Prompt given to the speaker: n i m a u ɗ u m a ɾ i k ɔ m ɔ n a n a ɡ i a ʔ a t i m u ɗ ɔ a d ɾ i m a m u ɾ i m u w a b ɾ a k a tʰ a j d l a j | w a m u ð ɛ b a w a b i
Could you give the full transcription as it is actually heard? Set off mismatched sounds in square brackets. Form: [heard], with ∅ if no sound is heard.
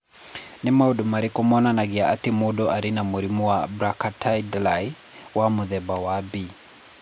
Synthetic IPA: n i m a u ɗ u m a ɾ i k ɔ m ɔ n a n a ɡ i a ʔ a t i m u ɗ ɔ a [∅] ɾ i [n] a m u ɾ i m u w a b ɾ a k a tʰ a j d l a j | w a m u ð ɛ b a w a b i